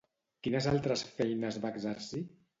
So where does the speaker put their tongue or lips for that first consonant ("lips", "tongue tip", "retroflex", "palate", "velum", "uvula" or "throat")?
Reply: velum